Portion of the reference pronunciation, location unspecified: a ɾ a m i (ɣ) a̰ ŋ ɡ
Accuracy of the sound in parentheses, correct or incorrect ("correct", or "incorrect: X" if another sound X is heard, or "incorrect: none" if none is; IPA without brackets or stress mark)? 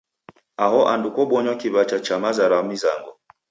incorrect: z